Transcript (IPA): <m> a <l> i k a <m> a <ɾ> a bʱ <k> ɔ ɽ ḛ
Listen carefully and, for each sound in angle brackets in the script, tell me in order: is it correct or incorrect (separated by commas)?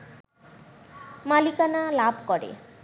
correct, correct, incorrect, incorrect, correct